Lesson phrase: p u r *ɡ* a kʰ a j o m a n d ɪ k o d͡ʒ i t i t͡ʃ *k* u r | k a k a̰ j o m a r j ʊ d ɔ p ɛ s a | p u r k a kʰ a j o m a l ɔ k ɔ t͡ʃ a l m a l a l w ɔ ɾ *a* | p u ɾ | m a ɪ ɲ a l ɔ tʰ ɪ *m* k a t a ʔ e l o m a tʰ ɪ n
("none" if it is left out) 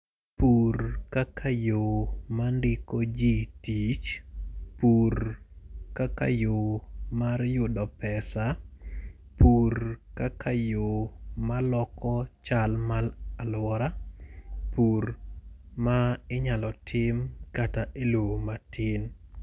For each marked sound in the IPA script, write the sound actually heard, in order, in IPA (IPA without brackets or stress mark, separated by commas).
k, p, a, m